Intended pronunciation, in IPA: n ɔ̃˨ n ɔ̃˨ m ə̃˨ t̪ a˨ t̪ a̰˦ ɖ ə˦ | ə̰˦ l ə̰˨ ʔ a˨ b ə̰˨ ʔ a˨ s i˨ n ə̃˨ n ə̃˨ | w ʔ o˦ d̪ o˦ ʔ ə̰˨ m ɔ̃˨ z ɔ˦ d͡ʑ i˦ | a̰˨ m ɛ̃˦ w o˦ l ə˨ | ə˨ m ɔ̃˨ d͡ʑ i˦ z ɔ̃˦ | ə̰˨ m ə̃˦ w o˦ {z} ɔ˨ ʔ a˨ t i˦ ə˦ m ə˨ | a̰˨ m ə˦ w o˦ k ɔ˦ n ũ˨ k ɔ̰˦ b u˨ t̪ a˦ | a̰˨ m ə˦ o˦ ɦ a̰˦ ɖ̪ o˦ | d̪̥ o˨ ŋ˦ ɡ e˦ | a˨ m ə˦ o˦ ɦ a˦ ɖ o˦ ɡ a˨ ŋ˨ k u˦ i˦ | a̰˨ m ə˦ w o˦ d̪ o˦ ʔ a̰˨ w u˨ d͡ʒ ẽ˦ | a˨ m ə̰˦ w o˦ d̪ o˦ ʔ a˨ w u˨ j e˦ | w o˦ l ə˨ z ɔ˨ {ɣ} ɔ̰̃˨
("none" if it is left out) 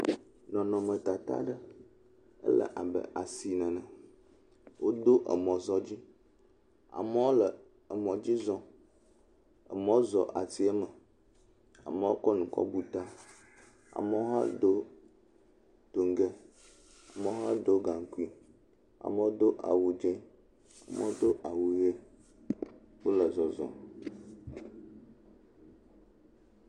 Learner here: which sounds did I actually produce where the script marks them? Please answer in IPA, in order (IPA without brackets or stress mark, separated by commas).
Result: z, z